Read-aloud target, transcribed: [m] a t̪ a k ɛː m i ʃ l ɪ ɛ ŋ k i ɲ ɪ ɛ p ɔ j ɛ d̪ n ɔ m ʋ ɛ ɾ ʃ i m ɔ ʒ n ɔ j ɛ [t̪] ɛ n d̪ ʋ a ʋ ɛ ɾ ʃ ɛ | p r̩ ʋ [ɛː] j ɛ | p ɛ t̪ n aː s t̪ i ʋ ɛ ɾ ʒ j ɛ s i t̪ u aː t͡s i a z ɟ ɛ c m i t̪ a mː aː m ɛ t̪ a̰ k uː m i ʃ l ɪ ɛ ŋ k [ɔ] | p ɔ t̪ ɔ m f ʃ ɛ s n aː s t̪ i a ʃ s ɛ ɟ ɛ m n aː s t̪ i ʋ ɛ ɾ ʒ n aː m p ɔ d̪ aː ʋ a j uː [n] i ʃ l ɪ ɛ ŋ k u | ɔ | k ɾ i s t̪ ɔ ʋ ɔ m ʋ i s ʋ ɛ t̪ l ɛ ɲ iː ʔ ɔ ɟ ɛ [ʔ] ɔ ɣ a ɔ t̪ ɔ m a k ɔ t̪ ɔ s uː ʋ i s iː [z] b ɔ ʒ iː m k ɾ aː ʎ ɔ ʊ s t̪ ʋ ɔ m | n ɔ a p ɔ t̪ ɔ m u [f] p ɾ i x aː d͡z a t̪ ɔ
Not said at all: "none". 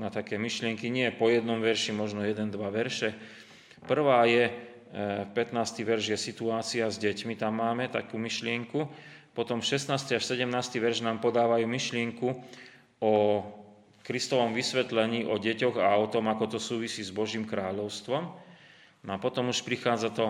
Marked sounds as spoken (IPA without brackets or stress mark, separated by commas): n, d̪, aː, u, m, c, z, ʃ